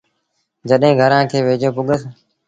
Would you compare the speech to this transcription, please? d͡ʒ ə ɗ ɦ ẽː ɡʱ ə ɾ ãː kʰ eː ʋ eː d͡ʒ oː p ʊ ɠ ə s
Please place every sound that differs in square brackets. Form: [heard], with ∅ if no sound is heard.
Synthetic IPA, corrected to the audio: d͡ʒ ə ɗ ɦ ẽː ɡʱ ə ɾ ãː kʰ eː ʋ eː d͡ʒ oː p ʊ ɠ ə s